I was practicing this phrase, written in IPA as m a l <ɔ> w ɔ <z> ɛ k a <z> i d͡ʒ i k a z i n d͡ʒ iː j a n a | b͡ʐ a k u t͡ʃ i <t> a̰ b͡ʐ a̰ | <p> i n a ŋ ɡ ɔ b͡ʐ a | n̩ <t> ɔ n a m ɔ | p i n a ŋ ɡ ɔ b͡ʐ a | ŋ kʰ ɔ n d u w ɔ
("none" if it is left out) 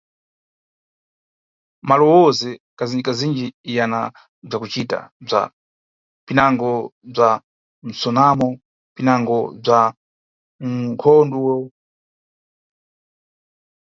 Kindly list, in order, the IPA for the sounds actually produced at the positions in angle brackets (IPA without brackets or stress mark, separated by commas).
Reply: ɔ, z, z, t, p, s